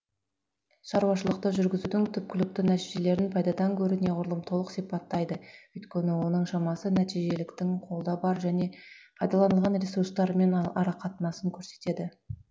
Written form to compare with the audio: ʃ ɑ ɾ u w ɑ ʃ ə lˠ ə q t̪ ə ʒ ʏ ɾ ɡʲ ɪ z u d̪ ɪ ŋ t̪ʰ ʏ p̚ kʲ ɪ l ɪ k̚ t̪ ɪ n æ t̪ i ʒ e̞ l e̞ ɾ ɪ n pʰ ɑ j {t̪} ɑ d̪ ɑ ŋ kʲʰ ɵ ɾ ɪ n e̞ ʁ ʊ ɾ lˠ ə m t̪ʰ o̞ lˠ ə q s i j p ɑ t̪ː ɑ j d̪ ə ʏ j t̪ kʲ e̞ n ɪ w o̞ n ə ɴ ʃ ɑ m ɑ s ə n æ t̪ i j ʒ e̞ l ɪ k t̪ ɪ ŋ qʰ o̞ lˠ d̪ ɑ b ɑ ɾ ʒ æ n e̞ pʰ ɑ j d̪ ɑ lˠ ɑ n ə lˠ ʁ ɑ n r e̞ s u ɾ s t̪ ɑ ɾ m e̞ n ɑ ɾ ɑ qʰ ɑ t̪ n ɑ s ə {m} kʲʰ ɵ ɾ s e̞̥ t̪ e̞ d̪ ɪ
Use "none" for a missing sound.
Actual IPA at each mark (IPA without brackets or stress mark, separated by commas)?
d̪, ŋ